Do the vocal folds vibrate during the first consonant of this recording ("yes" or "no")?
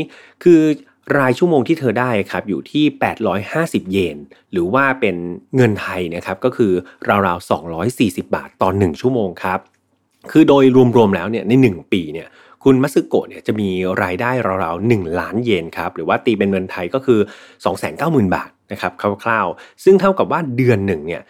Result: no